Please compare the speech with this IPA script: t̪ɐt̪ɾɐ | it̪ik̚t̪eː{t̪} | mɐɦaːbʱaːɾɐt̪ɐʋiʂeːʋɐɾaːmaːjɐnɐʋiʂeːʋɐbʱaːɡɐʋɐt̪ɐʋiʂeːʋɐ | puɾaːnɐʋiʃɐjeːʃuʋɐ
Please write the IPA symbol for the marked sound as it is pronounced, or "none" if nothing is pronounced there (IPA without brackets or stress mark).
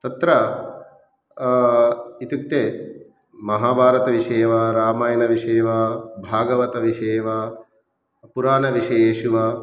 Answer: none